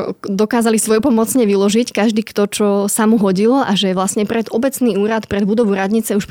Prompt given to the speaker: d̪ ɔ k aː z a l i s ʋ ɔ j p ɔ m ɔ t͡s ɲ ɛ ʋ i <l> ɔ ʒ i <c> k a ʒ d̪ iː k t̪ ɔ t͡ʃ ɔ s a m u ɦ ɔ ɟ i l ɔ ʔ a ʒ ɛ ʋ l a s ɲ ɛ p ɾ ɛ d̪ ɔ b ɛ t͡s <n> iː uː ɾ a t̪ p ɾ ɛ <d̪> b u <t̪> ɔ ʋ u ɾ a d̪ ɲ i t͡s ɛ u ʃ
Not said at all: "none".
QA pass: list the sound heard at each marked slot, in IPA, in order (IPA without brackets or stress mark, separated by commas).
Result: l, c, n, d̪, d̪